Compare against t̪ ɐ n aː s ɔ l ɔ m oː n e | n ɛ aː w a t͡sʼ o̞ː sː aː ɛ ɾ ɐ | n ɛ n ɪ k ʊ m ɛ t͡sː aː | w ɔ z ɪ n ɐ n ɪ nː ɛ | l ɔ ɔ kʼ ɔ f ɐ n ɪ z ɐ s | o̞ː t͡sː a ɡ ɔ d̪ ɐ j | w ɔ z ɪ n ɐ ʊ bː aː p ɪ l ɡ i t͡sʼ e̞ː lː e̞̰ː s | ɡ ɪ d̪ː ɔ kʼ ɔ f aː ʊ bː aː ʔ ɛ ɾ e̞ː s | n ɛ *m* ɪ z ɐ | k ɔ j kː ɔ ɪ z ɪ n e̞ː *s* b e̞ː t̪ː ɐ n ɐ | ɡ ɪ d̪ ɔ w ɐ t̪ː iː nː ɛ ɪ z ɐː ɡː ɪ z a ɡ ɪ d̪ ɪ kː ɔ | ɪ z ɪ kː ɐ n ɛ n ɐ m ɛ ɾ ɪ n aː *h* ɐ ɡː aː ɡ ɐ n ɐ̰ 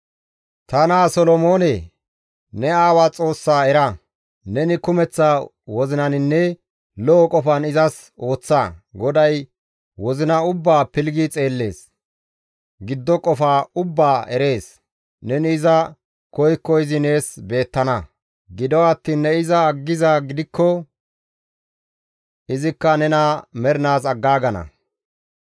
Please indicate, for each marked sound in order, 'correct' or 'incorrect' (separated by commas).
incorrect, correct, incorrect